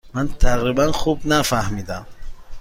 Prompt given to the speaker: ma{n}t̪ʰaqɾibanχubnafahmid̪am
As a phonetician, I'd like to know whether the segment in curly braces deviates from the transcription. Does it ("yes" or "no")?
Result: no